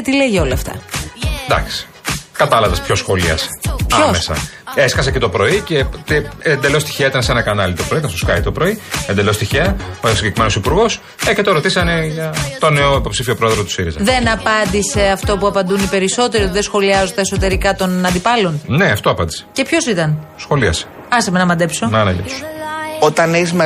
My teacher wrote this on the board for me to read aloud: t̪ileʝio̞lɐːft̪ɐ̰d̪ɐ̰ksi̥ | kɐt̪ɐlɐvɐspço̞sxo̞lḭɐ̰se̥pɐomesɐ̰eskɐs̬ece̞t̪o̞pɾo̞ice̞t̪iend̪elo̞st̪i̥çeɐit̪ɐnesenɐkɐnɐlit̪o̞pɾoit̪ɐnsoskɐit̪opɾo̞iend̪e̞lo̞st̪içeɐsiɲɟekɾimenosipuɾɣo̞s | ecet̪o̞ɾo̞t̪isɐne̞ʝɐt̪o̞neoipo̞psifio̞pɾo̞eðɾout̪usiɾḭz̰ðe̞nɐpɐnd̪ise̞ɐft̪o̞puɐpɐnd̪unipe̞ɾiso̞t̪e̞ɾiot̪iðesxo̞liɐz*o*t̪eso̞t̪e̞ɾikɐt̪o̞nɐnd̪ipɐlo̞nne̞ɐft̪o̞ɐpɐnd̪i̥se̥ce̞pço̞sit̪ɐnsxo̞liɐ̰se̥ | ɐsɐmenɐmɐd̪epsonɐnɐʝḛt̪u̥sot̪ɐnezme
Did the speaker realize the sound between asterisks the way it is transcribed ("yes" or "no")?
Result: yes